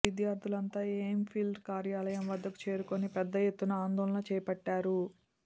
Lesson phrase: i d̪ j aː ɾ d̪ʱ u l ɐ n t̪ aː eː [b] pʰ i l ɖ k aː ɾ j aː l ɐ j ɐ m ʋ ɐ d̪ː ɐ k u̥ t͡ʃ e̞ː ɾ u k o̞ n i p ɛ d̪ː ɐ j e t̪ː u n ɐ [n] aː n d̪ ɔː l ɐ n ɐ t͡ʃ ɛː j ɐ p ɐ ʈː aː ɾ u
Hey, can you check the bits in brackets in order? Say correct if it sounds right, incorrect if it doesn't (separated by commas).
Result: incorrect, incorrect